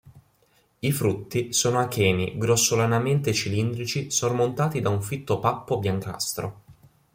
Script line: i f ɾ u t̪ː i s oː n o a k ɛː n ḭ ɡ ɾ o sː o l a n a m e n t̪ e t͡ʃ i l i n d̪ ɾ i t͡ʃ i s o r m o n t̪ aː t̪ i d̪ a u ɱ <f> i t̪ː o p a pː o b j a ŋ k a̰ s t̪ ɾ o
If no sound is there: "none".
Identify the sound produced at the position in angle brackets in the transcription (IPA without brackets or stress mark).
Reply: f